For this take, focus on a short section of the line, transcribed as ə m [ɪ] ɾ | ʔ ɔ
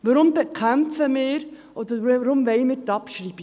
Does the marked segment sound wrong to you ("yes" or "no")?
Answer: yes